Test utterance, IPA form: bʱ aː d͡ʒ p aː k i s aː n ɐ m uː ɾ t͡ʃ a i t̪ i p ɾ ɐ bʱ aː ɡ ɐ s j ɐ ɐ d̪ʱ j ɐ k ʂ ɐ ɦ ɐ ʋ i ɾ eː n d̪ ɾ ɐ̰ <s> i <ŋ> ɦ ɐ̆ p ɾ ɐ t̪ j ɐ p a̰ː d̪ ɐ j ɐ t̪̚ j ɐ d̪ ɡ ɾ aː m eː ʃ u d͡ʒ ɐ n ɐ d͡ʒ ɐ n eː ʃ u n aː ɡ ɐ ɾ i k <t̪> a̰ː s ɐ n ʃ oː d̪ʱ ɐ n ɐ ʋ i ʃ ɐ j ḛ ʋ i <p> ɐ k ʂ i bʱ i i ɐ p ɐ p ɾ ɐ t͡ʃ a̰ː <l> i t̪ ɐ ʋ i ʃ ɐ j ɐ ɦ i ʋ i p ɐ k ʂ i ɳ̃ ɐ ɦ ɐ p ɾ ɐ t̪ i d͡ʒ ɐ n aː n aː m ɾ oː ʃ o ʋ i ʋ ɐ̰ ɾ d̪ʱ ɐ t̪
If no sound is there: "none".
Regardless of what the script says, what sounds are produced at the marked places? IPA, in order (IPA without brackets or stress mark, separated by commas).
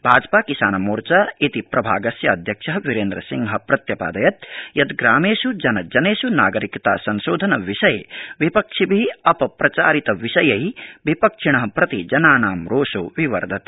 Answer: s, ŋ, t̪, p, ɾ